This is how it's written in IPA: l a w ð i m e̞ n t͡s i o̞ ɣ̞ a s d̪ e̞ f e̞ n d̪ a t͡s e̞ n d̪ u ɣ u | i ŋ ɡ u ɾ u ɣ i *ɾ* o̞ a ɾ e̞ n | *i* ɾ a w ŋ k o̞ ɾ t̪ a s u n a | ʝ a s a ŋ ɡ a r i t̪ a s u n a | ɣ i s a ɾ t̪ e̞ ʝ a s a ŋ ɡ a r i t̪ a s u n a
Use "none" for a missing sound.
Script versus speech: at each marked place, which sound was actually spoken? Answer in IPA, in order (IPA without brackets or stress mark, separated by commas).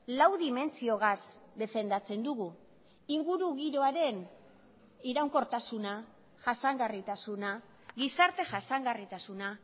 ɾ, i